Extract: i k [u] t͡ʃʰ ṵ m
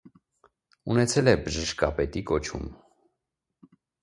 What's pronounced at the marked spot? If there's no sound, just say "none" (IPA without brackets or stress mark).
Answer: ɔ